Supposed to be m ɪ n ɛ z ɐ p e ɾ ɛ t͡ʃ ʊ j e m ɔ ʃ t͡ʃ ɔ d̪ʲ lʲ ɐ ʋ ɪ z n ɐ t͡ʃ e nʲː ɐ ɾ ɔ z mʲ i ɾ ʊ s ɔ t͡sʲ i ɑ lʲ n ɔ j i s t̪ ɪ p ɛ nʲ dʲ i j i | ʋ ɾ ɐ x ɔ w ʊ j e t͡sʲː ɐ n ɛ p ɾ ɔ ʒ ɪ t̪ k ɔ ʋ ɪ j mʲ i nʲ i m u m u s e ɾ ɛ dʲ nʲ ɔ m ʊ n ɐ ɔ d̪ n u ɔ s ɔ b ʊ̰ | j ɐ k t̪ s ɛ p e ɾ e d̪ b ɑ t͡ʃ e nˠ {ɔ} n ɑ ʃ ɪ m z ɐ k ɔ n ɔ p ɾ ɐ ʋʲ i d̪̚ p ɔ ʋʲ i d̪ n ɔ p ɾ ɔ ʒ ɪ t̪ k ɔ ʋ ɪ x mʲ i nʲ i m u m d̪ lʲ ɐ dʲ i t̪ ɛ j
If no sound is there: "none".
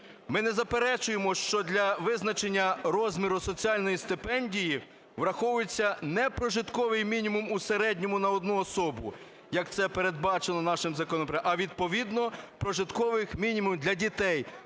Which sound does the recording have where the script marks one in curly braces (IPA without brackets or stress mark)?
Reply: ɔ